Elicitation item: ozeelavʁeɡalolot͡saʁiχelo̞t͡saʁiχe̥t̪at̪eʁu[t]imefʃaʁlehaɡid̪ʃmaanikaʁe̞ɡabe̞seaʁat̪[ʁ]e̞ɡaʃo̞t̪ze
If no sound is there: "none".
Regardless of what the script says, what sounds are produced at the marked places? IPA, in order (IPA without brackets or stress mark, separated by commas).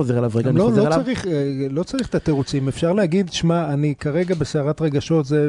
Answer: t͡s, ʁ